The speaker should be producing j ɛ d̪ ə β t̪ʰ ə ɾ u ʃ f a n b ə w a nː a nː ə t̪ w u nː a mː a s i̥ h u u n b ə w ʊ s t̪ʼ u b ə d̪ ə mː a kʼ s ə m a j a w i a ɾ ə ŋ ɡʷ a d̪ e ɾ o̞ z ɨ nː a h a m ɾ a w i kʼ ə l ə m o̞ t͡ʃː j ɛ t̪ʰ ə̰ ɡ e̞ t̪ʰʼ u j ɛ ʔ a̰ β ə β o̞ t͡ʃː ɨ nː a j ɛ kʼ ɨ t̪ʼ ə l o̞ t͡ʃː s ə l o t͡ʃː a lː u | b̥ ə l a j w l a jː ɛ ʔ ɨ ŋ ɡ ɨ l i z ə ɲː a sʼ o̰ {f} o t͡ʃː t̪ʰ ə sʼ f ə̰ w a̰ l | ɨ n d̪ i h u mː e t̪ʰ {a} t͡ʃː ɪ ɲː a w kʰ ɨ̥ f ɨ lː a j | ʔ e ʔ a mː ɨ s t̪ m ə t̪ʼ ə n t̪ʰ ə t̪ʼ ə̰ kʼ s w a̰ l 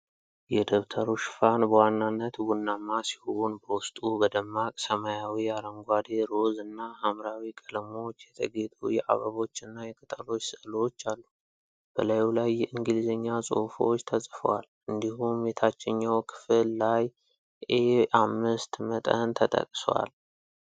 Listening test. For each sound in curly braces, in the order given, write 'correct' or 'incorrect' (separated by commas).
correct, correct